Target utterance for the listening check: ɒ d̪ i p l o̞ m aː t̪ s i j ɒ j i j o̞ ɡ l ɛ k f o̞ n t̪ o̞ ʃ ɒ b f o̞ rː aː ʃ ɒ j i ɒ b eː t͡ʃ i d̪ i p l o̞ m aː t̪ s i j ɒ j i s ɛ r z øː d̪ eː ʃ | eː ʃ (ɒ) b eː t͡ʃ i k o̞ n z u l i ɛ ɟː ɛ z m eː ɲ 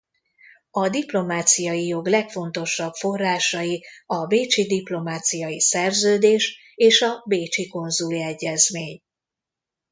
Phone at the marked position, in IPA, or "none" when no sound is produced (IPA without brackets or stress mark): ɒ